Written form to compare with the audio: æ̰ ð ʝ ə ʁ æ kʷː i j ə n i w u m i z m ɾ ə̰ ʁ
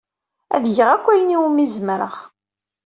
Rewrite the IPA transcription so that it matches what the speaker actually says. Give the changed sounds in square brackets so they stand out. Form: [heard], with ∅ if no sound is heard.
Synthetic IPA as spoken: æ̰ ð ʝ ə ʁ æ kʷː [æ] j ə n i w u m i z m ɾ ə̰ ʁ

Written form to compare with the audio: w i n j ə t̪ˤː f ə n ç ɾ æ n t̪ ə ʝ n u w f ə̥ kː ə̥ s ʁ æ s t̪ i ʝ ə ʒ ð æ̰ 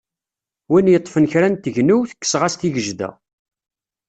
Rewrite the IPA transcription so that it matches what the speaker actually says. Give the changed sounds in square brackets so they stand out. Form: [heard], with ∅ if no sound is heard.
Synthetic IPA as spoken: w i n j ə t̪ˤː f ə n ç ɾ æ n t̪ ə ʝ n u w [θ] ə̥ kː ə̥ s ʁ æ s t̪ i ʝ ə ʒ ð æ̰

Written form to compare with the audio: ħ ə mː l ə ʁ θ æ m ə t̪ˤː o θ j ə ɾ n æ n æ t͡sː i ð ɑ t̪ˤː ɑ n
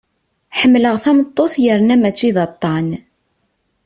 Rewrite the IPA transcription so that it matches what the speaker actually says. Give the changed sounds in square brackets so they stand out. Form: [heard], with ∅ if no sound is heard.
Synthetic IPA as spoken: ħ ə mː l ə ʁ θ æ m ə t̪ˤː o θ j ə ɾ n æ [m] æ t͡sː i ð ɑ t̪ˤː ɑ n

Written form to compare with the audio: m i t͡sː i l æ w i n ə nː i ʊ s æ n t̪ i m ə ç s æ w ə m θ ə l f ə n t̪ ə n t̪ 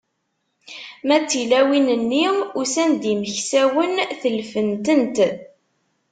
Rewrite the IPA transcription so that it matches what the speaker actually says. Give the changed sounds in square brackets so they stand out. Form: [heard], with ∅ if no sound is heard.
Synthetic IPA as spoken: m [æ] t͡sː i l æ w i n ə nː i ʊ s æ n [d̪] i m ə ç s æ w ə [n] θ ə l f ə n t̪ ə n t̪

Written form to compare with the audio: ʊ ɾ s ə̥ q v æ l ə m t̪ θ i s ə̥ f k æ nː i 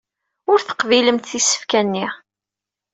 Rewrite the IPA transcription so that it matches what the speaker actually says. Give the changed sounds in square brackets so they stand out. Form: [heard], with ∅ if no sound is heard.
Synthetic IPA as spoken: ʊ ɾ [θ] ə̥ q v [i] l ə m t̪ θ i s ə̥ f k æ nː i

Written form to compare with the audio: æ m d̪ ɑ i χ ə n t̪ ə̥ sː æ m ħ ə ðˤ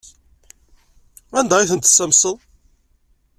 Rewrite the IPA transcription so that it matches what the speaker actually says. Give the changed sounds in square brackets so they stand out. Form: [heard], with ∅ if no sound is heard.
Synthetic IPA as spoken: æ [n] d̪ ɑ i [θ] ə n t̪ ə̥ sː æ m [s] ə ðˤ

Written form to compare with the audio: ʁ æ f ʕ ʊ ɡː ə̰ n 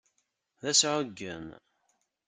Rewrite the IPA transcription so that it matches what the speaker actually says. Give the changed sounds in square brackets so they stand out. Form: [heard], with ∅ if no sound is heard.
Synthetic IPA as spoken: [ð] æ [s] ʕ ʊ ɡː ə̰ [m]

